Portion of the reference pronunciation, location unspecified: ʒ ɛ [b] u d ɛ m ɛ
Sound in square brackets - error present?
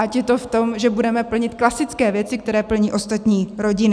no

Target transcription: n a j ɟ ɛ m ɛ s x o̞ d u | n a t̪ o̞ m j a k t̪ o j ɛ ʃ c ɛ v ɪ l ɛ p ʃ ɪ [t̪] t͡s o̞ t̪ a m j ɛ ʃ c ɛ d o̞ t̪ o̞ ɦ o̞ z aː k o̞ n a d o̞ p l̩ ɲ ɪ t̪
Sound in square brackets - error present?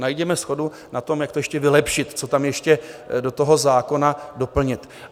no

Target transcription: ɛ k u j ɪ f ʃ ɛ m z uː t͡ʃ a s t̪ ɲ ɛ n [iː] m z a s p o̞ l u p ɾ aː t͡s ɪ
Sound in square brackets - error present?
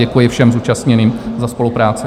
no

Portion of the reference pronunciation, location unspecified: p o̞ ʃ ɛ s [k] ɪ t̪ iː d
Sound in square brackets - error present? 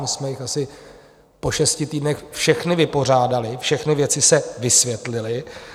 yes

